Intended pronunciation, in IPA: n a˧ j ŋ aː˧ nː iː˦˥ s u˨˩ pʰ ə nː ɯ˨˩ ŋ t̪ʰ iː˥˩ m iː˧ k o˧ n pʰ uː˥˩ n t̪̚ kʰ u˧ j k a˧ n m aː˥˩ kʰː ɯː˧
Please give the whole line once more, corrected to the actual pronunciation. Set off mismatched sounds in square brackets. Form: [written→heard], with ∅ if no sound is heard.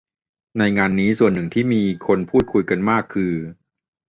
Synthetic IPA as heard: n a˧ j ŋ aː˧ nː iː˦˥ s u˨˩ [pʰ→∅] ə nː ɯ˨˩ ŋ t̪ʰ iː˥˩ m iː˧ [k→kʰ] o˧ n pʰ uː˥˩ [n→∅] t̪̚ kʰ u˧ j k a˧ n m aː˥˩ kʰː ɯː˧